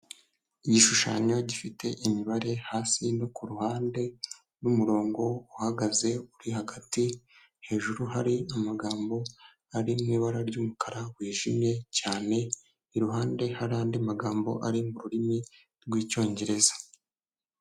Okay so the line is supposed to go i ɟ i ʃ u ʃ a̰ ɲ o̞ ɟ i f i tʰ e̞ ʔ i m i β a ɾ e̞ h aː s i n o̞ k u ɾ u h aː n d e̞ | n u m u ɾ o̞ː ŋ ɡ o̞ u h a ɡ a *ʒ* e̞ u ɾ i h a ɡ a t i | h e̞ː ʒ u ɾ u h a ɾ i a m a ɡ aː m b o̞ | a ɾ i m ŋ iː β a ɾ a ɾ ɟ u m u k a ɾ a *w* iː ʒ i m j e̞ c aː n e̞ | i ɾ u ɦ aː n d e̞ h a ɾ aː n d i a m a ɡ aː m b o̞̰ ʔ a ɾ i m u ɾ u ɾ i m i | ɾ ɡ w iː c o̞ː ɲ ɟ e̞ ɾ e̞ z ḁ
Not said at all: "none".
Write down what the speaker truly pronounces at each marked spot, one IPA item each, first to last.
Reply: z, w

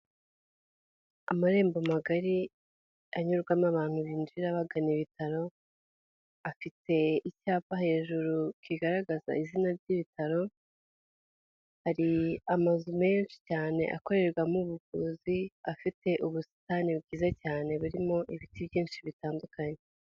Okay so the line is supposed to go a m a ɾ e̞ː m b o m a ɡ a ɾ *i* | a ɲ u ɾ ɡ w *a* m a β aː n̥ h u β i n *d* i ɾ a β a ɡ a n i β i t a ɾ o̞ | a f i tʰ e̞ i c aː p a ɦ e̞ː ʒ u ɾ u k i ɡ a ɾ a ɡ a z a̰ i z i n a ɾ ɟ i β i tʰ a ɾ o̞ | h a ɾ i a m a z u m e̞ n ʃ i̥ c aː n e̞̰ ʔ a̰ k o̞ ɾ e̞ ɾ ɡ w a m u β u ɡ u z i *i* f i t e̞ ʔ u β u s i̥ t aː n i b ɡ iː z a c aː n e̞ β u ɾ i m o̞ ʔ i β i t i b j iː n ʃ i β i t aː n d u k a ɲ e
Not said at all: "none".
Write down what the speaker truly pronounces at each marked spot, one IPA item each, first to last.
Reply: i, a, d͡ʒ, a

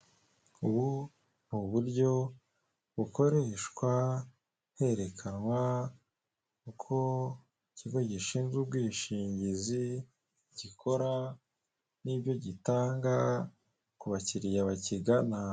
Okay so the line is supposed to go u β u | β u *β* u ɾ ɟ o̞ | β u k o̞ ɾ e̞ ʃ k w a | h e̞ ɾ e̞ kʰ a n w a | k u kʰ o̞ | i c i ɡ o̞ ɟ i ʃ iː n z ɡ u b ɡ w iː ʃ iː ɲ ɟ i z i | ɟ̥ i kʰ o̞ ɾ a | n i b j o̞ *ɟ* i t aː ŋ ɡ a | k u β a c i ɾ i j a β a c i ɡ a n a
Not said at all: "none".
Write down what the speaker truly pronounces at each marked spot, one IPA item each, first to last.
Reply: β, ɟ

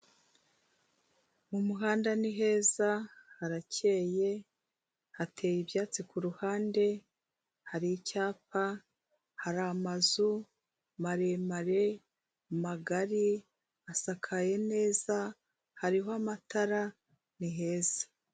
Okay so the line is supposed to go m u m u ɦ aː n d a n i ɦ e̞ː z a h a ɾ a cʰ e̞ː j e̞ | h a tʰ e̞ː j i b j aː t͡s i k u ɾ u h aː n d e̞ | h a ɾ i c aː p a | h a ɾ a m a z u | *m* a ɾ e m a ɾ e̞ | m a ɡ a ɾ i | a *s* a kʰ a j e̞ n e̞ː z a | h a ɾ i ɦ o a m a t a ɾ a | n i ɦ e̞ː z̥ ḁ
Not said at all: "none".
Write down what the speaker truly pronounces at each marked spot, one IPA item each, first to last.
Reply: m, s

